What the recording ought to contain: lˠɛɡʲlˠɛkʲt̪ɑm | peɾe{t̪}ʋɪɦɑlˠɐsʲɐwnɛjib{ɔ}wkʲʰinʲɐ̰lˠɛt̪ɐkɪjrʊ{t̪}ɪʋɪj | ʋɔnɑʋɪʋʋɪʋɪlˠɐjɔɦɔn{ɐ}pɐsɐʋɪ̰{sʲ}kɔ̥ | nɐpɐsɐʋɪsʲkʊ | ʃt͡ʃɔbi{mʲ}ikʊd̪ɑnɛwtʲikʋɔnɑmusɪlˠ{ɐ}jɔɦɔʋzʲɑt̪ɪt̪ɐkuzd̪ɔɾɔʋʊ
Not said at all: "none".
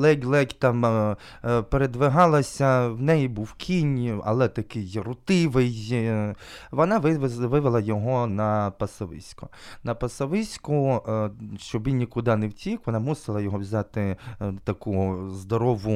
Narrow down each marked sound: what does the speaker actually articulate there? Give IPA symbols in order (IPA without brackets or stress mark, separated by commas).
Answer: d̪, u, t̪, ɐ, sʲ, nʲ, ɐ